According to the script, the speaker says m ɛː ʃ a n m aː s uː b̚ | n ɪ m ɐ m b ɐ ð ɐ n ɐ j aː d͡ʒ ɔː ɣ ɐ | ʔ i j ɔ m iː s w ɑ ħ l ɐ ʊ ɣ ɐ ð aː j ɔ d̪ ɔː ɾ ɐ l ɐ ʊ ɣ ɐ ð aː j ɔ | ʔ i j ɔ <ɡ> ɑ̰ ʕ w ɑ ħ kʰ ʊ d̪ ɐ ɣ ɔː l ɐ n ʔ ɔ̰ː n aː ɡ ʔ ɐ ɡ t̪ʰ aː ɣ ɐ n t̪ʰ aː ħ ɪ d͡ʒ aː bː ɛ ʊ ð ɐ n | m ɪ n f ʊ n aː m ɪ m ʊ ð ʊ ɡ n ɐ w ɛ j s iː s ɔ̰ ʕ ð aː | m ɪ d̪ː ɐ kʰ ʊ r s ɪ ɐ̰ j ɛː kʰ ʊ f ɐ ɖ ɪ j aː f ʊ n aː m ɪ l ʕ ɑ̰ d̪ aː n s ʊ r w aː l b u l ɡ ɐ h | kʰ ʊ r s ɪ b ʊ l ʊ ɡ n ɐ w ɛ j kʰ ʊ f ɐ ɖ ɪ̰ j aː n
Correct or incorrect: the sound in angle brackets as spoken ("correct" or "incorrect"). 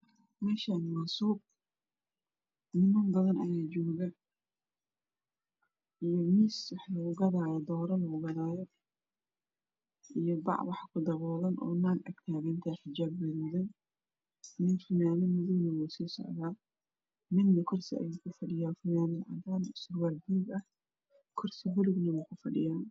incorrect